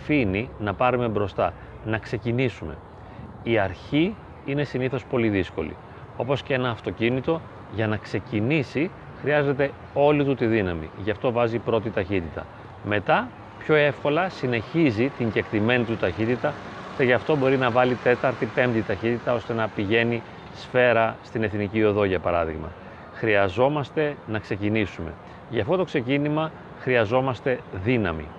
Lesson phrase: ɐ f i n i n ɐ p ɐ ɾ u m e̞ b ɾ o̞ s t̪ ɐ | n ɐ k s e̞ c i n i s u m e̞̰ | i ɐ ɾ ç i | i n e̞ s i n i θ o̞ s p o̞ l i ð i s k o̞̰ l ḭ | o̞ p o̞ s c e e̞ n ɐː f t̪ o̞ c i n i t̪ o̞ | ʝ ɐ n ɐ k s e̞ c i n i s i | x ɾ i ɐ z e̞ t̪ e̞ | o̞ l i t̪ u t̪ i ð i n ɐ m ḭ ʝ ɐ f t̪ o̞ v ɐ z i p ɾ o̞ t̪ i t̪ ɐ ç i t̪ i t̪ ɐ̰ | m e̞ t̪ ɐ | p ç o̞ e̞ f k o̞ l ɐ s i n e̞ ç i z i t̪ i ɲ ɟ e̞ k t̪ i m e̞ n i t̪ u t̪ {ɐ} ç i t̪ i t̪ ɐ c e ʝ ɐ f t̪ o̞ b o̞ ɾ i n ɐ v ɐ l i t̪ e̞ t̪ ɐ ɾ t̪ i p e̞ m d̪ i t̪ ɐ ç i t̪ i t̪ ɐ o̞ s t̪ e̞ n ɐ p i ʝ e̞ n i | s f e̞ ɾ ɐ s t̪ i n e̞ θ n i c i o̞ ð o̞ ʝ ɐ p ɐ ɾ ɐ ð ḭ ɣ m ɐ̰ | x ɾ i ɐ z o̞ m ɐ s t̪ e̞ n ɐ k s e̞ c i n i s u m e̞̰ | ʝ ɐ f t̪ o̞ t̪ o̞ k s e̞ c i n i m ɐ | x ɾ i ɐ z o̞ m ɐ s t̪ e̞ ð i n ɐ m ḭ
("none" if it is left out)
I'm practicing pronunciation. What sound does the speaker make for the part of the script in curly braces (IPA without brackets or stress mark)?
ɐ